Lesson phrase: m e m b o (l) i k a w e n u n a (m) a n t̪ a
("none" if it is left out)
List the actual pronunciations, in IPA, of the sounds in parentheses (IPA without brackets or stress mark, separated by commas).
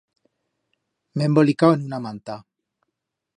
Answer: l, m